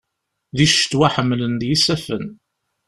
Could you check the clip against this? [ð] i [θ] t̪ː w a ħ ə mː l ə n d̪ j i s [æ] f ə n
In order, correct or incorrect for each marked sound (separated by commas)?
correct, incorrect, correct